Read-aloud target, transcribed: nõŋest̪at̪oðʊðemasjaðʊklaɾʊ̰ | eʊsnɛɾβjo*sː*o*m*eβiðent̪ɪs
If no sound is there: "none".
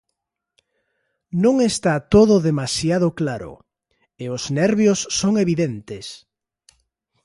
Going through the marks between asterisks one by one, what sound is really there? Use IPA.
sː, ŋ

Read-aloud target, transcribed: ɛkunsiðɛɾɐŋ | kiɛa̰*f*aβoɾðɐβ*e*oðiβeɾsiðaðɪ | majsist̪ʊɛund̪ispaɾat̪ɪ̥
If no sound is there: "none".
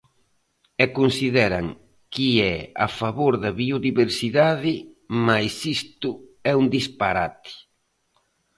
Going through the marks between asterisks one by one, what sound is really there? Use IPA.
f, i

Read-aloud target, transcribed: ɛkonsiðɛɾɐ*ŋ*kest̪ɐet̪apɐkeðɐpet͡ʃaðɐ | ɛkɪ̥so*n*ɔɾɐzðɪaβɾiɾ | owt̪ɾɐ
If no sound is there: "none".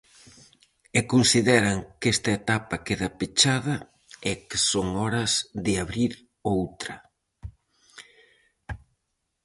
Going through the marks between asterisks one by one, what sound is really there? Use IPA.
ŋ, ŋ

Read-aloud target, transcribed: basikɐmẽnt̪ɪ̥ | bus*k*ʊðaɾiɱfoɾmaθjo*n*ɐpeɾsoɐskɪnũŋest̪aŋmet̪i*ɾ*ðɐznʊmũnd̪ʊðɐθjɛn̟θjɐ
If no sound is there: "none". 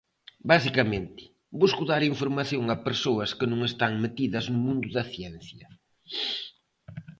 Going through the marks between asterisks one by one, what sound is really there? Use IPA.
k, ŋ, none

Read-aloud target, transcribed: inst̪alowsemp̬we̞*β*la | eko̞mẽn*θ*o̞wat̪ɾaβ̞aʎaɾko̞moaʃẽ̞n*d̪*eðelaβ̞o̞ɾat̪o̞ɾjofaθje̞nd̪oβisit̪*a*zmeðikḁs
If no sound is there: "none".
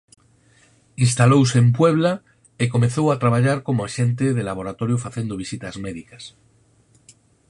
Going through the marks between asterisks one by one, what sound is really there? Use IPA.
β, θ, t̪, a

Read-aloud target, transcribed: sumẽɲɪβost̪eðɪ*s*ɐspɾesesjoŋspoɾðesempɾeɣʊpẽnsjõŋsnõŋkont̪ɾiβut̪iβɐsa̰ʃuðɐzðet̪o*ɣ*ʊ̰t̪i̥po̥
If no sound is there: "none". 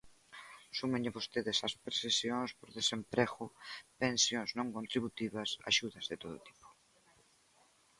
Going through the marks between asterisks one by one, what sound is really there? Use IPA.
s, ð

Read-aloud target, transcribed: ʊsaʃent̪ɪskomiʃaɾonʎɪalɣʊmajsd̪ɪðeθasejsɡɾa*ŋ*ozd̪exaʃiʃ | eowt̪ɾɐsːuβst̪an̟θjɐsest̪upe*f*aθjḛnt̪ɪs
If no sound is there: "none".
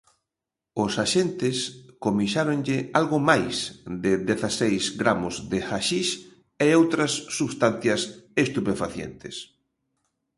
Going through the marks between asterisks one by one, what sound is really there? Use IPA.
m, f

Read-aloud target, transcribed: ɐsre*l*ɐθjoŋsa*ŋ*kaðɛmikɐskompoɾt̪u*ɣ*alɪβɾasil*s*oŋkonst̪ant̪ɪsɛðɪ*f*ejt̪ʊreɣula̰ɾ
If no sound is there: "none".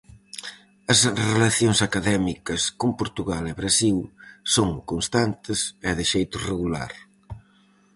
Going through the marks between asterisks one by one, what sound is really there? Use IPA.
l, none, ɣ, s, ʃ

